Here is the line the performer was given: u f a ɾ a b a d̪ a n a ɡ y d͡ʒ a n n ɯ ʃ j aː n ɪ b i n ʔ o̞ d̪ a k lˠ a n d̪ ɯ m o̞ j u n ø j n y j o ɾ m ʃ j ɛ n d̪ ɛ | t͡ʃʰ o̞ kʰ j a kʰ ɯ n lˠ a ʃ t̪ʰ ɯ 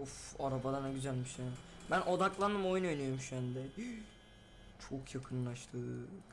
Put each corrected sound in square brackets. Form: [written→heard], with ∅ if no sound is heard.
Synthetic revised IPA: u f a ɾ a b a d̪ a n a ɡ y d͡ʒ a n [n→m] ɯ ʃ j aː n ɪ b [i→æ] n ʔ o̞ d̪ a k lˠ a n d̪ ɯ m o̞ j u n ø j n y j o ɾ m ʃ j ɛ n d̪ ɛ | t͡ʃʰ o̞ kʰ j a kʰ ɯ n lˠ a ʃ t̪ʰ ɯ

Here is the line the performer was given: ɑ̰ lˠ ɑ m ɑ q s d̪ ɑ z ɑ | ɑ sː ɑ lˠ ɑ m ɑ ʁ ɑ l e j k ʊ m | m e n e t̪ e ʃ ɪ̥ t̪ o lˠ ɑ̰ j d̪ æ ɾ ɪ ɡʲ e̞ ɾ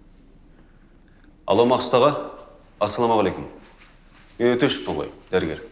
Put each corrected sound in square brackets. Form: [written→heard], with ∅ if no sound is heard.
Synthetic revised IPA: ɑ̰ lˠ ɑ m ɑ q s [d̪→t̪] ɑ [z→ʁ] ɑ | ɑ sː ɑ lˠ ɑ m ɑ ʁ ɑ l e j k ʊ m | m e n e t̪ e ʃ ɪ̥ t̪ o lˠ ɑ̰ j d̪ æ ɾ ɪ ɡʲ e̞ ɾ

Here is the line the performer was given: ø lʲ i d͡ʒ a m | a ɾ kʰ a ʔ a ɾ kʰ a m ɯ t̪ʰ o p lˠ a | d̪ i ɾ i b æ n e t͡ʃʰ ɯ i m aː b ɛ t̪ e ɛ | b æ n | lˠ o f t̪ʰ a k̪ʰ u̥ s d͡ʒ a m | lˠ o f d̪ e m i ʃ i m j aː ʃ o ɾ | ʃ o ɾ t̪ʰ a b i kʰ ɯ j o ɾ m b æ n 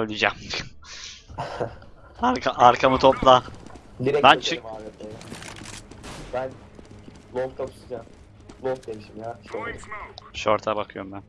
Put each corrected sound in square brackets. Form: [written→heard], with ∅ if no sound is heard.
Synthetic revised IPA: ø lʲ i d͡ʒ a m | a ɾ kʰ a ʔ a ɾ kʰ a m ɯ t̪ʰ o p lˠ a | d̪ i ɾ [i→ɛ] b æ n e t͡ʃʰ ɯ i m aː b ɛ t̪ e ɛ | b æ n | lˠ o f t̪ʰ a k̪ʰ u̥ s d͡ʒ a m | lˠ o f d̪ e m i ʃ i m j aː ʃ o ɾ | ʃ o ɾ t̪ʰ a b [i→a] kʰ ɯ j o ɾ m b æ n

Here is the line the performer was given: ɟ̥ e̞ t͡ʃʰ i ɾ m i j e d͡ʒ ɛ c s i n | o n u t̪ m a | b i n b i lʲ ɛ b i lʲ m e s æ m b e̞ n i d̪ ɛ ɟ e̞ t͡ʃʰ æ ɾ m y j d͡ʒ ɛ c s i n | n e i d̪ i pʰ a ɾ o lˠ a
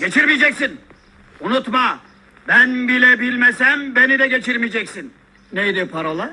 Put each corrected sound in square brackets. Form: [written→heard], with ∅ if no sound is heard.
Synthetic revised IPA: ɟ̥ e̞ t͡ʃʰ i ɾ m i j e d͡ʒ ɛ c s i n | [o→u] n u t̪ m a | b [i→æ] n b i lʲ ɛ b i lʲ m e s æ m b e̞ n i d̪ ɛ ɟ e̞ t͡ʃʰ [æ→i] ɾ m [y→i] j d͡ʒ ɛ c s i n | n e [i→j] d̪ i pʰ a ɾ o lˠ a

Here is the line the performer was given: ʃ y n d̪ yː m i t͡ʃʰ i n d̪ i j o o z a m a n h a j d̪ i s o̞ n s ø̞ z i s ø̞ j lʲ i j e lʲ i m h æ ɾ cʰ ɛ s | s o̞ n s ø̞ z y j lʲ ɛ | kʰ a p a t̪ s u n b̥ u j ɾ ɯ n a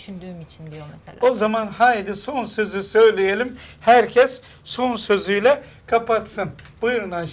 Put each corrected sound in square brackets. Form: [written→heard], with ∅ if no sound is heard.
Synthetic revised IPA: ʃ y n d̪ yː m i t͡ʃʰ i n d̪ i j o o z a m a n h a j d̪ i s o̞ n s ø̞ z [i→y] s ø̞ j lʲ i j e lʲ i m h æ ɾ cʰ ɛ s | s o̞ n s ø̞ z y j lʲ ɛ | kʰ a p a t̪ s [u→ɯ] n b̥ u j ɾ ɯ n a

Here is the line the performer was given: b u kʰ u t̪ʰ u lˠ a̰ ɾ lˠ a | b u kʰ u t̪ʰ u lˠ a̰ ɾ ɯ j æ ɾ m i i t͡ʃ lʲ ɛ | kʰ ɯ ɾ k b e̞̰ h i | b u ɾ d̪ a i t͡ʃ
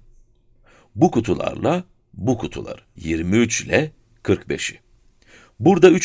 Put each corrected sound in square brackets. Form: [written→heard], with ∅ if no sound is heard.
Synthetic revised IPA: b u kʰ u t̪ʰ u lˠ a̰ ɾ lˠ a | b u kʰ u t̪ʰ u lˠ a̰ ɾ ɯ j [æ→i] ɾ m i [i→y] t͡ʃ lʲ ɛ | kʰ ɯ ɾ k b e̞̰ [h→ʃ] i | b u ɾ d̪ a [i→y] t͡ʃ

